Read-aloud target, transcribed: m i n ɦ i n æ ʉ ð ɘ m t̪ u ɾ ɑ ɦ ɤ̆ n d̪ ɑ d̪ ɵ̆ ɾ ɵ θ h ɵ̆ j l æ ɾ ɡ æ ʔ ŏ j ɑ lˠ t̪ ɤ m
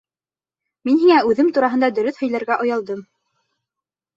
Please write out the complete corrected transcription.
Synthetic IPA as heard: m i n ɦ i ŋ æ ʉ ð ɘ m t̪ u ɾ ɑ ɦ ɤ̆ n d̪ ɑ d̪ ɵ̆ ɾ ɵ θ h ɵ̆ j l æ ɾ ɡ æ ʔ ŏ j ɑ lˠ d̪ ɤ m